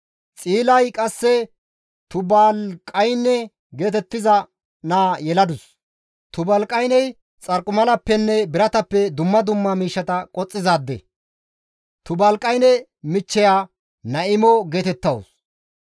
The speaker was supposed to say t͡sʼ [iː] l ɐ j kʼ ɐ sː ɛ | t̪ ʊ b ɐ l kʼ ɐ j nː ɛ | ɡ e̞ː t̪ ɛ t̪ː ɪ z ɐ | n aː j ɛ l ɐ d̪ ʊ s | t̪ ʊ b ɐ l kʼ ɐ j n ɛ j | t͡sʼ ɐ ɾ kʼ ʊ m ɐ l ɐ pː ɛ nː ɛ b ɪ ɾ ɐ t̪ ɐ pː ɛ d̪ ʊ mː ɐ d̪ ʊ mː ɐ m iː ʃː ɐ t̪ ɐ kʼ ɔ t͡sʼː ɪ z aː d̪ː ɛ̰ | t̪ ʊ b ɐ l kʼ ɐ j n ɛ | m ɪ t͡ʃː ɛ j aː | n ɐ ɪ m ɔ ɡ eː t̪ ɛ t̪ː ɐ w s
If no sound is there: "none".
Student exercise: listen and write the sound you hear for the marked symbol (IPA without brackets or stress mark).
iː